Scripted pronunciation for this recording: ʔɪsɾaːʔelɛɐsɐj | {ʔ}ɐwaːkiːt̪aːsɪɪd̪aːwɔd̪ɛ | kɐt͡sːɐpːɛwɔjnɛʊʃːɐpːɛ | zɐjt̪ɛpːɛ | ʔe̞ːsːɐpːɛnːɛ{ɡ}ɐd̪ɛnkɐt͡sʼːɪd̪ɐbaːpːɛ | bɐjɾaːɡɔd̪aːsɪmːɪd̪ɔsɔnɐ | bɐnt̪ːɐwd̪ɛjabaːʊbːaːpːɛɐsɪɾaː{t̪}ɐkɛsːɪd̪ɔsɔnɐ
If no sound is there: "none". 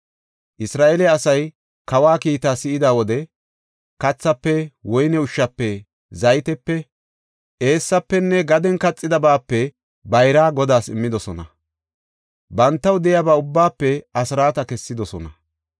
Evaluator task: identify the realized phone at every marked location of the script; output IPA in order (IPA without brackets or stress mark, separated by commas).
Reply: k, ɡ, t̪